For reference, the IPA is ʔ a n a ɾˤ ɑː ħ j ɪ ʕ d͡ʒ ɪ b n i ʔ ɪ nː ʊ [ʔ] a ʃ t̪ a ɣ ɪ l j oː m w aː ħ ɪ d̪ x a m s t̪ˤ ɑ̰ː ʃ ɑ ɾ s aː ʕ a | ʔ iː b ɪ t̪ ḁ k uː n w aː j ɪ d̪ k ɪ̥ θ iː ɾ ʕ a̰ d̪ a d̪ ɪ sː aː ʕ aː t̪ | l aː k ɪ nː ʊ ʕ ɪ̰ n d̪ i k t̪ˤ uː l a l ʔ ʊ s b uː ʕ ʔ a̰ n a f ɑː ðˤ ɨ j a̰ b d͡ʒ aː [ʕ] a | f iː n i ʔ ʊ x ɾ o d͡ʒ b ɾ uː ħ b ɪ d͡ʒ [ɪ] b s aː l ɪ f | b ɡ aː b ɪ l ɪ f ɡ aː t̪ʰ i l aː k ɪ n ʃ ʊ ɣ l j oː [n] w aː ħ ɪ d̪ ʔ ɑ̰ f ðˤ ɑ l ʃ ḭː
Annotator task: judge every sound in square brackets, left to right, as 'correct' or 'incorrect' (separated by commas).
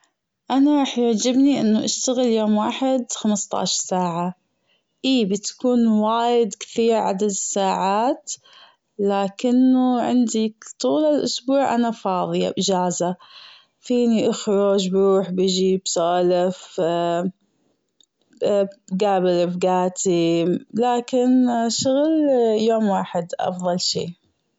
correct, incorrect, incorrect, incorrect